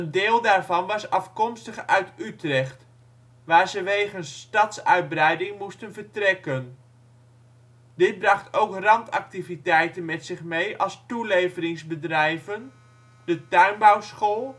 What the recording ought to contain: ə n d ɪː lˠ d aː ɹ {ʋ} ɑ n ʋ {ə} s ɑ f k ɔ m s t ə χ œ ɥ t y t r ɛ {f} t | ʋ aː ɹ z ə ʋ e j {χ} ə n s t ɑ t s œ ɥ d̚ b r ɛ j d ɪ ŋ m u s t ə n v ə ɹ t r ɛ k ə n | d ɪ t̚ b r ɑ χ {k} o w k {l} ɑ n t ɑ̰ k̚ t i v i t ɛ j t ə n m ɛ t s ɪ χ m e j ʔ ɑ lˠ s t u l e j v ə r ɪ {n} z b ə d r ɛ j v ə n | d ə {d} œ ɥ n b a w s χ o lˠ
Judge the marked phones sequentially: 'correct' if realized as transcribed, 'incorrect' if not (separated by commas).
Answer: incorrect, incorrect, incorrect, correct, incorrect, incorrect, incorrect, incorrect